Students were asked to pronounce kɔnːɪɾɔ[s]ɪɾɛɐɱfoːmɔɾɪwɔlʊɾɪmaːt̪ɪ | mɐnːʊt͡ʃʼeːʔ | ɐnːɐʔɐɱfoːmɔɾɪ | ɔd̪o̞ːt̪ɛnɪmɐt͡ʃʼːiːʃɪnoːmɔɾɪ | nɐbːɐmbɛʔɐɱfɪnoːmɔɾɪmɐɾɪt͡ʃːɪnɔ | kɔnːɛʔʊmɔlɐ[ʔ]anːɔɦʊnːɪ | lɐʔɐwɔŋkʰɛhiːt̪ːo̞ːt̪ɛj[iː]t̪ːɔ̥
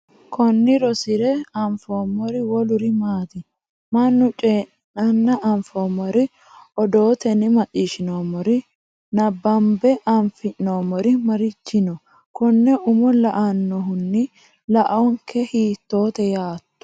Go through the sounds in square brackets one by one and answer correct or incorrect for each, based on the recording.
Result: correct, correct, incorrect: aː

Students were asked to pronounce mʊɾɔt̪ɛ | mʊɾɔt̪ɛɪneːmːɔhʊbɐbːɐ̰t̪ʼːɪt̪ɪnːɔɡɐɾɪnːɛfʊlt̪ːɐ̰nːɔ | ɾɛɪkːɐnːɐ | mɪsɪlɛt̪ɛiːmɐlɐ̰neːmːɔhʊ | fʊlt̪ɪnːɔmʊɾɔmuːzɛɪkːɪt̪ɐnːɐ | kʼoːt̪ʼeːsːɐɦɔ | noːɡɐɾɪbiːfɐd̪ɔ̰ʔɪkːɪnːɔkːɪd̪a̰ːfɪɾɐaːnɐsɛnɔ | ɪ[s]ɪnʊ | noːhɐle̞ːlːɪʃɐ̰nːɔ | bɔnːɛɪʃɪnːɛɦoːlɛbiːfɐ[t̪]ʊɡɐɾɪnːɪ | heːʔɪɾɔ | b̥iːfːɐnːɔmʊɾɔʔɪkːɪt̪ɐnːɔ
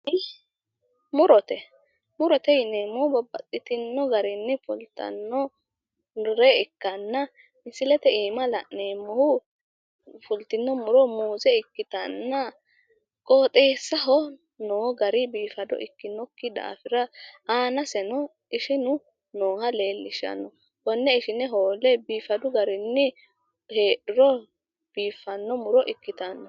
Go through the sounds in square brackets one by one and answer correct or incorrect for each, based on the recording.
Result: incorrect: ʃ, incorrect: d̪

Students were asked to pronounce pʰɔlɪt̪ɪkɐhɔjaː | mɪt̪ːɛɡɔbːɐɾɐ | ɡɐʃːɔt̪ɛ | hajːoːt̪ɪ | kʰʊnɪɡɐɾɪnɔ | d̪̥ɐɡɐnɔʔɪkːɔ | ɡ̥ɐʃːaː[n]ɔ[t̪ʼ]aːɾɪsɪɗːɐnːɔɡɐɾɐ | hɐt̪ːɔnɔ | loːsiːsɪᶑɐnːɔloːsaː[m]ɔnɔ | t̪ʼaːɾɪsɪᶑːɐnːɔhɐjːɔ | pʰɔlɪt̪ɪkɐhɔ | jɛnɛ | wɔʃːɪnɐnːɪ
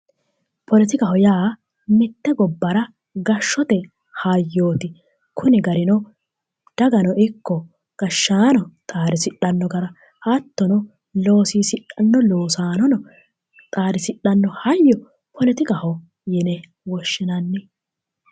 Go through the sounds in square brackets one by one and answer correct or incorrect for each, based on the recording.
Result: correct, correct, incorrect: n

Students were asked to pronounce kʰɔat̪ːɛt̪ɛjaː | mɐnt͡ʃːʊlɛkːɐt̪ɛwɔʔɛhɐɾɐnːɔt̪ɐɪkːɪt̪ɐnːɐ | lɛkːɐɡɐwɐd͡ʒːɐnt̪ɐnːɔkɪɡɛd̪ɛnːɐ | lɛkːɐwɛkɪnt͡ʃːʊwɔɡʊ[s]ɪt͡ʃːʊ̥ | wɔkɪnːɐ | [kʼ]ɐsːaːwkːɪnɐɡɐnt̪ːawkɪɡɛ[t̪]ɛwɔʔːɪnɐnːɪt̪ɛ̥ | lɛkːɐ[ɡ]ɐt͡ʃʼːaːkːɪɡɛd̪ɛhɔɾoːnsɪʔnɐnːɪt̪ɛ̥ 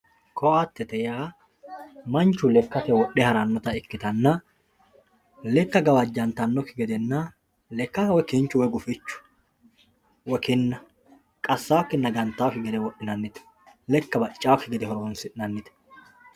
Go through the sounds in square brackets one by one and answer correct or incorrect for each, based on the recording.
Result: incorrect: f, correct, incorrect: d̪, incorrect: b

